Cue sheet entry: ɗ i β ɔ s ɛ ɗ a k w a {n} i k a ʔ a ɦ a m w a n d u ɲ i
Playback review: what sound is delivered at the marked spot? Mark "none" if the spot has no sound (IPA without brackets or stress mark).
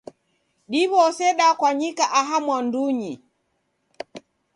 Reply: ɲ